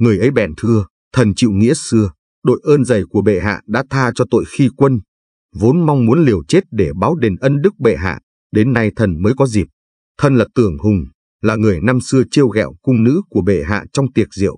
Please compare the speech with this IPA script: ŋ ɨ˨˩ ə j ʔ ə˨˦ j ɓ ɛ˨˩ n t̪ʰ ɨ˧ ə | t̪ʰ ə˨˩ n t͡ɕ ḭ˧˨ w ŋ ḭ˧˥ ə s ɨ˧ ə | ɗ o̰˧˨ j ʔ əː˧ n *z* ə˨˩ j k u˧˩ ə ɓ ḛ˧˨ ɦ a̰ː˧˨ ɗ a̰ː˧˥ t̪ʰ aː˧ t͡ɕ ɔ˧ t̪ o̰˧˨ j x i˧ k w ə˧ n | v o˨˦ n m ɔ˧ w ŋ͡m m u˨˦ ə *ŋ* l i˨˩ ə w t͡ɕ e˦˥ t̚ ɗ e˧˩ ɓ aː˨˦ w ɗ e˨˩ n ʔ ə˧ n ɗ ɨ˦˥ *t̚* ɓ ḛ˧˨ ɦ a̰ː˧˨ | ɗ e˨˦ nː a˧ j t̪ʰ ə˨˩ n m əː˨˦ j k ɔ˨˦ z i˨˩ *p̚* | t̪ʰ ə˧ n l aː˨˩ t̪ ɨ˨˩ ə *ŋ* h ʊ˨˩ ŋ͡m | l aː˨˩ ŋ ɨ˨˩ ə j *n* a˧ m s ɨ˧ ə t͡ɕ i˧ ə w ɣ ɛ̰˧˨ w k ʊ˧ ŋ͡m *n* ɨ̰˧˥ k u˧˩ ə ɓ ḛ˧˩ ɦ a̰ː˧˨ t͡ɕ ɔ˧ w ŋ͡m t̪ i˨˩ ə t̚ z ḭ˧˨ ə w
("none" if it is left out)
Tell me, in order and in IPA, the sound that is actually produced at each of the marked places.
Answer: z, n, k̚, p̚, ŋ, n, n

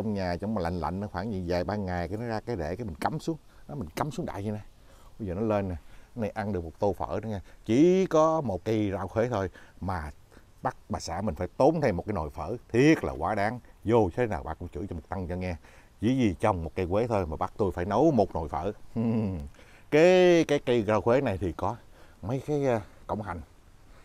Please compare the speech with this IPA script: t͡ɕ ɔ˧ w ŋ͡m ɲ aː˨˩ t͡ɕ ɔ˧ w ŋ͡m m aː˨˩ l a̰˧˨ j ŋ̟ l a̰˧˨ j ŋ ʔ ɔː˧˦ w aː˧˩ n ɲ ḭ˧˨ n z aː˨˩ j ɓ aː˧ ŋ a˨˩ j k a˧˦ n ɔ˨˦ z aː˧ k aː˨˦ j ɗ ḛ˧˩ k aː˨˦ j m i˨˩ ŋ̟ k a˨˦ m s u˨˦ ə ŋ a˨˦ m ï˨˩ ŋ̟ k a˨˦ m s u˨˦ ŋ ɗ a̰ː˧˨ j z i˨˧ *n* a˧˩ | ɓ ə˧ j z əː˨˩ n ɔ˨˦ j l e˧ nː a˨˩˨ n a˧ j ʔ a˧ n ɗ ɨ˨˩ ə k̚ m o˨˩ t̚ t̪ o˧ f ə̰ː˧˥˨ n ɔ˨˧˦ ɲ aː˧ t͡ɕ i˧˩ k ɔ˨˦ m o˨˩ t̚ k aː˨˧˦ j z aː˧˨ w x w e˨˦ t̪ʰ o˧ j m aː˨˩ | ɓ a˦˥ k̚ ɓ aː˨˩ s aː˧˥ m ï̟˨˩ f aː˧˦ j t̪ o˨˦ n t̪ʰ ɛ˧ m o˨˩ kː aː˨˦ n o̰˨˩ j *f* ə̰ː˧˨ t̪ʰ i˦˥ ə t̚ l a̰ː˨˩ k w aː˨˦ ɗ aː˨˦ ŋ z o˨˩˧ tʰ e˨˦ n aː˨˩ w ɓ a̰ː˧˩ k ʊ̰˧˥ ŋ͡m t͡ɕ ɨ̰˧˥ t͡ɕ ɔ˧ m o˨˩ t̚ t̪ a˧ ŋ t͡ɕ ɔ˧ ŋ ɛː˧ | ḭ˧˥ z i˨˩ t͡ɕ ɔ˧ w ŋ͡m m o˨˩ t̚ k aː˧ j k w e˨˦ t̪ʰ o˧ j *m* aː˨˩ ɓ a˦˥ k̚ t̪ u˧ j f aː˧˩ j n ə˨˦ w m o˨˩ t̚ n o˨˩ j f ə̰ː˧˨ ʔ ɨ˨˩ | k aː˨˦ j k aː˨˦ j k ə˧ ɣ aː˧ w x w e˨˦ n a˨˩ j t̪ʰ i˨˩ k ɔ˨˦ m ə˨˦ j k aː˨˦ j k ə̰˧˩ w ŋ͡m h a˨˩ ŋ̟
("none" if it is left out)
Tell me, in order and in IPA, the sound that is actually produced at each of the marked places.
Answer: n, f, m

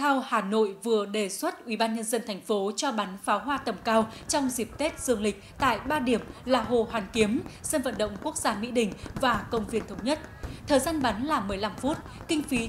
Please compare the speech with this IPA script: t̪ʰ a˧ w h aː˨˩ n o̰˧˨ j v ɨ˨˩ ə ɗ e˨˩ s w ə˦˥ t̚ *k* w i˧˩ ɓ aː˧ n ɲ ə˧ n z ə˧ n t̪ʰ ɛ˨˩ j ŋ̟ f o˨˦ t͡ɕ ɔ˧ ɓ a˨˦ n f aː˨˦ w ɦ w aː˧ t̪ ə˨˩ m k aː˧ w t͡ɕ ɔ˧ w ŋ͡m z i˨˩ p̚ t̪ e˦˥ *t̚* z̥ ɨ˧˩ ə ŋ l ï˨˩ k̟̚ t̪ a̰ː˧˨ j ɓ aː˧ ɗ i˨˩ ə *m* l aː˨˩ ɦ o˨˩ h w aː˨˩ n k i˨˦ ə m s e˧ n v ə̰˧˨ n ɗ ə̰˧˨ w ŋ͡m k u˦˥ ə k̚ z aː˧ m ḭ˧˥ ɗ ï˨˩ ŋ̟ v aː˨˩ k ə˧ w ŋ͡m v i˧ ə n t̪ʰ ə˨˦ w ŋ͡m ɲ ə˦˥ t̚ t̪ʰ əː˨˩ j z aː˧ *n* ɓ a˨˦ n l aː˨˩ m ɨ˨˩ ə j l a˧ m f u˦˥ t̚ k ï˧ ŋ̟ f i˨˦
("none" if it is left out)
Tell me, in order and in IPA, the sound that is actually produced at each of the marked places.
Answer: ʔ, t̚, m, n

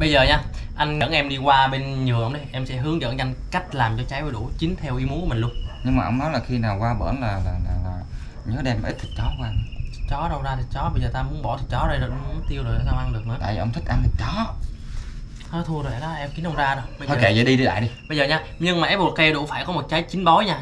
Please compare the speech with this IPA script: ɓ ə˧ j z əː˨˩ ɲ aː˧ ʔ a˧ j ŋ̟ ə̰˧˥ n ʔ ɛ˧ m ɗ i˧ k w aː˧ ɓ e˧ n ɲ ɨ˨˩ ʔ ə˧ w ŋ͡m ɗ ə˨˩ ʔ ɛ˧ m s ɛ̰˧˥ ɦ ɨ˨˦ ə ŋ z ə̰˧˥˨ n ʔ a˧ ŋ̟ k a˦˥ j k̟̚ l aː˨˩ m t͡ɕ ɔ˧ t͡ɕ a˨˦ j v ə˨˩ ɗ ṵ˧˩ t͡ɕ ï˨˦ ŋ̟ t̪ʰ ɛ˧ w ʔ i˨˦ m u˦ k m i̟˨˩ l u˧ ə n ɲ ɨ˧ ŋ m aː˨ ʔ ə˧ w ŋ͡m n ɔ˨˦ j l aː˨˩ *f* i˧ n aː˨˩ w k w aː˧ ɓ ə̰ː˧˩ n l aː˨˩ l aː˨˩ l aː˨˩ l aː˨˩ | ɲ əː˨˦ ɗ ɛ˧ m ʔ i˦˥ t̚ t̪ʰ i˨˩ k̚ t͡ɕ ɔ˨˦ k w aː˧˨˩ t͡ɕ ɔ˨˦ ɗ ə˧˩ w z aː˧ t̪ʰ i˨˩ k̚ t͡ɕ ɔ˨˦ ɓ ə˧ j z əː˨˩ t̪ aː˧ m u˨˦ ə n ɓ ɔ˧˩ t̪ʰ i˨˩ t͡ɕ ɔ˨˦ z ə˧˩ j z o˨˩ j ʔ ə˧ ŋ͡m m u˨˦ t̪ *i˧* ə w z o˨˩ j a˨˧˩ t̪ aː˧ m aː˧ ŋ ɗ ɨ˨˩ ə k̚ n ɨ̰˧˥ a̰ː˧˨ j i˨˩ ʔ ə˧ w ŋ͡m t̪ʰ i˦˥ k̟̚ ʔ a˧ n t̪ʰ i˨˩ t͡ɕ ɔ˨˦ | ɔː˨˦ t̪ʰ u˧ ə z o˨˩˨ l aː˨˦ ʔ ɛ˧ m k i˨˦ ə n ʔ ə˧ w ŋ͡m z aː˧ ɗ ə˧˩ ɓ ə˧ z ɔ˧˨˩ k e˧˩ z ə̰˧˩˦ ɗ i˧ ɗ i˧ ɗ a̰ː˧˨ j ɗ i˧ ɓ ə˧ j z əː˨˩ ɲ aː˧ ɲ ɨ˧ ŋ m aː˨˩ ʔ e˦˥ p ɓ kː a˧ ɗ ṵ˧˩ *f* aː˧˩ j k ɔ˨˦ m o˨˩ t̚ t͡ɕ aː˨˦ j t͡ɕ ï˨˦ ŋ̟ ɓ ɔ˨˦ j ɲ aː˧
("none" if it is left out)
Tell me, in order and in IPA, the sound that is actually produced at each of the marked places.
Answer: x, i˧, f

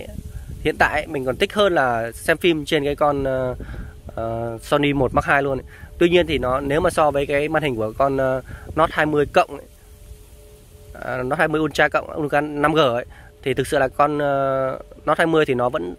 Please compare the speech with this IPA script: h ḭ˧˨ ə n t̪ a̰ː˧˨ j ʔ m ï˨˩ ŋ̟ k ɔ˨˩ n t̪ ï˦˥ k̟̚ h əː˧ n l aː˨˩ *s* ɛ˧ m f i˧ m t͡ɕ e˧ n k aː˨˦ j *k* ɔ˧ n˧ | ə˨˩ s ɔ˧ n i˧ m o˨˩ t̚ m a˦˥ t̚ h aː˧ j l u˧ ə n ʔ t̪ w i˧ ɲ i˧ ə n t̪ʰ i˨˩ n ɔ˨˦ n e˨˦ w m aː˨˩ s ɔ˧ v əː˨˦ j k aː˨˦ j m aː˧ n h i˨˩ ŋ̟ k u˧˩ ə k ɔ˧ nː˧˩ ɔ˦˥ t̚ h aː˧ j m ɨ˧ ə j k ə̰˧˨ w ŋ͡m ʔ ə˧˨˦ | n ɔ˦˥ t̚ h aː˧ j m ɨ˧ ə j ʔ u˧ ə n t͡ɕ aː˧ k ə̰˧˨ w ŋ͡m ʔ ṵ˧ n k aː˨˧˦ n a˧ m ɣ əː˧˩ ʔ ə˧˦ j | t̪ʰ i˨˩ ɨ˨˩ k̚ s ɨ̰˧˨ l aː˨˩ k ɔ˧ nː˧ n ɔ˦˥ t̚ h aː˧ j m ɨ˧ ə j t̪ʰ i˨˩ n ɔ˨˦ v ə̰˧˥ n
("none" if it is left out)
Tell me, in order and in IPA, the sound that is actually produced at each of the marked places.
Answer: s, k

